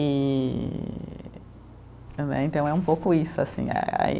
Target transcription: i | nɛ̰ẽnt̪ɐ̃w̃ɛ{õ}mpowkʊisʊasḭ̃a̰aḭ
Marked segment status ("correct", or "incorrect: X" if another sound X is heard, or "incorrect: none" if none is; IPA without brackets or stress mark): incorrect: ũ